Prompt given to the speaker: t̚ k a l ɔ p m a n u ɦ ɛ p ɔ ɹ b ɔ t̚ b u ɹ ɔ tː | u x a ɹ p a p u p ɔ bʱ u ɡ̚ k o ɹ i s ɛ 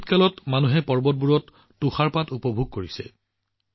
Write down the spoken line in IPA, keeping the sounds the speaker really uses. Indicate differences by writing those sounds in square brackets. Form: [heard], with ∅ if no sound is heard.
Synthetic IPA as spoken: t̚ k a l ɔ [t] m a n u ɦ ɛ p ɔ ɹ b ɔ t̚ b u ɹ ɔ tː | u x a ɹ p a [t] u p ɔ bʱ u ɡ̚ k o ɹ i s ɛ